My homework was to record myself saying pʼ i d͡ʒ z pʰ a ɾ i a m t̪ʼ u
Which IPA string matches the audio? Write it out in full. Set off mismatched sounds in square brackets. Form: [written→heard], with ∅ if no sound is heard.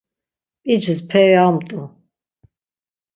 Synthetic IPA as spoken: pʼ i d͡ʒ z pʰ [a→ɛ] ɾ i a m t̪ʼ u